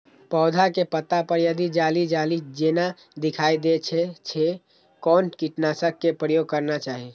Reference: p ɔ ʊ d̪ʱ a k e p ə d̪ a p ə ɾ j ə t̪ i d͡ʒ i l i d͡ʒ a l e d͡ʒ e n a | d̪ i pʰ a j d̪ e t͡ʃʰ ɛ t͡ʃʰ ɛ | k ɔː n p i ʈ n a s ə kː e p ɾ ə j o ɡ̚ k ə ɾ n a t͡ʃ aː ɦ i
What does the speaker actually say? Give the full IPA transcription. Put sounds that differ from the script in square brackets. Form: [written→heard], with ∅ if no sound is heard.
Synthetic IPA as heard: p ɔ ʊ d̪ʱ a k e p ə [d̪→t̪] a p ə ɾ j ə [t̪→d̪] i d͡ʒ [i→a] l i d͡ʒ a l [e→i] d͡ʒ e n a | d̪ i [pʰ→kʰ] a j d̪ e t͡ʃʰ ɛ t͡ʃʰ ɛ | k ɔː n [p→k] i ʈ n a s ə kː e p ɾ ə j o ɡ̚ k ə ɾ n a t͡ʃ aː ɦ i